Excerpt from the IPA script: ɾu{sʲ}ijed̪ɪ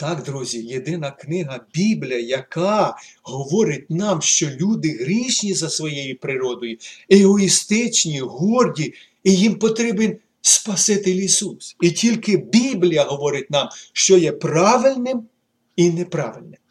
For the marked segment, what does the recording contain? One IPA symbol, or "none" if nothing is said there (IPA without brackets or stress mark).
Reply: zʲ